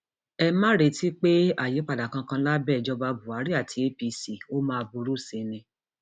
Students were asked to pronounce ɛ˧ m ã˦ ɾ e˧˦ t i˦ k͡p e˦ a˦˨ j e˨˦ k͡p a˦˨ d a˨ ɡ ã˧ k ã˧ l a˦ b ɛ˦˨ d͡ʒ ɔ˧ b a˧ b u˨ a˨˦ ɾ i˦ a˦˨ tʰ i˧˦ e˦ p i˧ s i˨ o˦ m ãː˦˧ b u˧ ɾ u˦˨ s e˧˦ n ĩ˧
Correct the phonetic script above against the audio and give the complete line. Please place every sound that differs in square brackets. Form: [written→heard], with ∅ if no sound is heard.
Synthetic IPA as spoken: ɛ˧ m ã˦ ɾ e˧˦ t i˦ k͡p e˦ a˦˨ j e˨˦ k͡p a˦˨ d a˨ [ɡ→k] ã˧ k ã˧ l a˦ b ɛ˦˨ d͡ʒ ɔ˧ b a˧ b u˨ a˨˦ ɾ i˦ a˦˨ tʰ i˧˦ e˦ p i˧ s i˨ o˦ m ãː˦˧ b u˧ ɾ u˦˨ s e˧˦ n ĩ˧